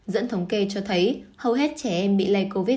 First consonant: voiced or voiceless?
voiced